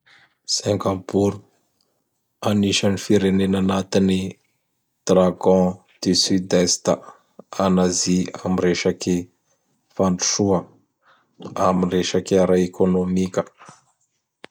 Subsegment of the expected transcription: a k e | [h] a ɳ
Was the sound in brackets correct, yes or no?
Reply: no